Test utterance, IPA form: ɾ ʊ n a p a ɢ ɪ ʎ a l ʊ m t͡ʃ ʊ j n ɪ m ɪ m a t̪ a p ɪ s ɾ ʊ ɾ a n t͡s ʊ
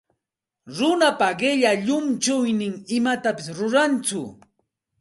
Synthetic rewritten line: ɾ ʊ n a p a ɢ ɪ ʎ a ʎ ʊ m t͡ʃ ʊ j n ɪ ŋ ɪ m a t̪ a p ɪ s ɾ ʊ ɾ a n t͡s ʊ